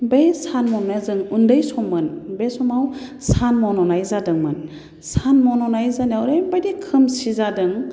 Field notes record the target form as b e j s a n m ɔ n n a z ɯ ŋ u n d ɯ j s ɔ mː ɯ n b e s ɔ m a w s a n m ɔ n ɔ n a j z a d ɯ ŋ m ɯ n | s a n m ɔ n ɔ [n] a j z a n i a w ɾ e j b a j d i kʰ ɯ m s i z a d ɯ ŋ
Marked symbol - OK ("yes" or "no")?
yes